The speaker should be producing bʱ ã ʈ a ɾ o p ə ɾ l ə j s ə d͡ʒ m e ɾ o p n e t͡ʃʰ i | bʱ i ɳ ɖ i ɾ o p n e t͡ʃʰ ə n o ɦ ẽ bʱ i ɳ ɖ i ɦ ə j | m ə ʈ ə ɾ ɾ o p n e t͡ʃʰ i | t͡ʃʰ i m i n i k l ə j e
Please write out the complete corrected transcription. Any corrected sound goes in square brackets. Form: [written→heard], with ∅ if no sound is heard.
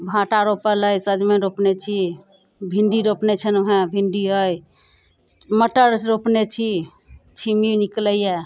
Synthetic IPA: bʱ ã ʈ a ɾ o p ə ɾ l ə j s ə d͡ʒ m e ɾ o p n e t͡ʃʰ i | bʱ i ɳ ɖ i ɾ o p n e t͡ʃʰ ə n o ɦ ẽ bʱ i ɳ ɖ i ɦ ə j | m ə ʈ ə ɾ ɾ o p n e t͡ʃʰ i | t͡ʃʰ i m i n i k l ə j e